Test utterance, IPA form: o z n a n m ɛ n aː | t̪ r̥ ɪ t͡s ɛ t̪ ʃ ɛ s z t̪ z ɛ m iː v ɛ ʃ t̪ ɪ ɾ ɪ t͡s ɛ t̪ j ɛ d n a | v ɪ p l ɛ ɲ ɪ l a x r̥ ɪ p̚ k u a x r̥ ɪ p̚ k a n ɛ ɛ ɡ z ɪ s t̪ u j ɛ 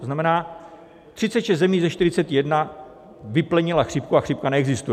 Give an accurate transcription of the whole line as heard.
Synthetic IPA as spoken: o z n a m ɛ n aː | t̪ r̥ ɪ t͡s ɛ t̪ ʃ ɛ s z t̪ z ɛ m iː z ɛ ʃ t̪ ɪ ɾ ɪ t͡s ɛ t̪ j ɛ d n a | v ɪ p l ɛ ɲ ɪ l a x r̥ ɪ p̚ k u a x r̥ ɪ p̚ k a n ɛ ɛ ɡ z ɪ s t̪ u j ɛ

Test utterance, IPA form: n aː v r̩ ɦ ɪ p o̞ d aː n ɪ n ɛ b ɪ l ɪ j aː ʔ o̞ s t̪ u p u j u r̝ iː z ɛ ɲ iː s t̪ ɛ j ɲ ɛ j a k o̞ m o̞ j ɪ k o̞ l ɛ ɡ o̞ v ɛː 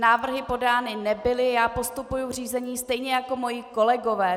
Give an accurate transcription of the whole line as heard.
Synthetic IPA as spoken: n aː v r̩ ɦ ɪ p o̞ d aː n ɪ n ɛ b ɪ l ɪ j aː p o̞ s t̪ u p u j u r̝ iː z ɛ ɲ iː s t̪ ɛ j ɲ ɛ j a k o̞ m o̞ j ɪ k o̞ l ɛ ɡ o̞ v ɛː

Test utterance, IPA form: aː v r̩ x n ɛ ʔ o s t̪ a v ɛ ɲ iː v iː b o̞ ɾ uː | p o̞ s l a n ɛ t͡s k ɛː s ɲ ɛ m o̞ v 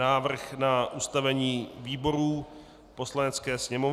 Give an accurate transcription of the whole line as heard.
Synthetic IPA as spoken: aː v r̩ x n a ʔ u s t̪ a v ɛ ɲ iː v iː b o̞ ɾ uː | p o̞ s l a n ɛ t͡s k ɛː s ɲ ɛ m o̞ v

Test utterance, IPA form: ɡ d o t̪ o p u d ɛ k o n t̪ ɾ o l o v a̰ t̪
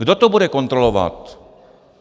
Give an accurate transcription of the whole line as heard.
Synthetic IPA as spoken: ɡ d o t̪ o b u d ɛ k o n t̪ ɾ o l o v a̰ t̪

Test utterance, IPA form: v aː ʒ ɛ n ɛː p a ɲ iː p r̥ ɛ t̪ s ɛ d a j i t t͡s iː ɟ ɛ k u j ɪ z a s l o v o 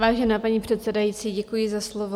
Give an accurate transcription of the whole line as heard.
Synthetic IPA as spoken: v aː ʒ ɛ n aː p a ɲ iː p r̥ ɛ t̪ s ɛ d a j i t t͡s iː ɟ ɛ k u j ɪ z a s l o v o

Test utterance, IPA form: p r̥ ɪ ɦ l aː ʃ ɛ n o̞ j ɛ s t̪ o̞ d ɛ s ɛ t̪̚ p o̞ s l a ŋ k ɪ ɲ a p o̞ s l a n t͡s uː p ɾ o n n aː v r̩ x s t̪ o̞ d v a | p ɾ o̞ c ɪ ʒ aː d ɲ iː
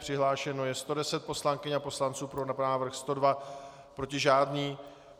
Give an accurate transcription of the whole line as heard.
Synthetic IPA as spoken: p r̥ ɪ ɦ l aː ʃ ɛ n o̞ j ɛ s t̪ o̞ d ɛ s ɛ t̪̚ p o̞ s l a ŋ k ɪ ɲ a p o̞ s l a n t͡s uː p ɾ o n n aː v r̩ x s t̪ o̞ d v a | p ɾ o̞ c ɪ ʒ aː d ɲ iː

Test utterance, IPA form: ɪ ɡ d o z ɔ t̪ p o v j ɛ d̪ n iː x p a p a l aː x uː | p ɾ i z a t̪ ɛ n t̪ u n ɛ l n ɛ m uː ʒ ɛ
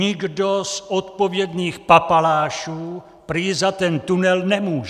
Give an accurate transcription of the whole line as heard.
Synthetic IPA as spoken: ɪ ɡ d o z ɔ t̪ p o v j ɛ d̪ n iː x p a p a l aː ʃ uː | p ɾ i z a t̪ ɛ n t̪ u n ɛ l n ɛ m uː ʒ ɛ

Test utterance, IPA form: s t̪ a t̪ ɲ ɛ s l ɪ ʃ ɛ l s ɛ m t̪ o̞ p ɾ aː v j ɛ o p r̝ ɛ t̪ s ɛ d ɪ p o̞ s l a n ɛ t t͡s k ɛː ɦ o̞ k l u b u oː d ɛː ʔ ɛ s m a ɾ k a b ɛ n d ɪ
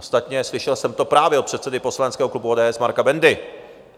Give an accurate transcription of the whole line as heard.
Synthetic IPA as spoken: s t̪ a t̪ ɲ ɛ s l ɪ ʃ ɛ l s ɛ m t̪ o̞ p ɾ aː v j ɛ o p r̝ ɛ t̪ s ɛ d ɪ p o̞ s l a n ɛ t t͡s k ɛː ɦ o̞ k l u b u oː d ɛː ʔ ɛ s m a ɾ k a b ɛ n d ɪ

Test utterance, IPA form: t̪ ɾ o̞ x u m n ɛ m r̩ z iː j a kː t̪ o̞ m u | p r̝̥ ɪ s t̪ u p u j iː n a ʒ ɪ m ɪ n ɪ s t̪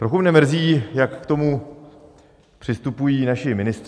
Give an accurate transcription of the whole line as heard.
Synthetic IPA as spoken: t̪ ɾ o̞ x u m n ɛ m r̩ z iː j a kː t̪ o̞ m u | p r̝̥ ɪ s t̪ u p u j iː n a ʃ ɪ m ɪ n ɪ s t̪

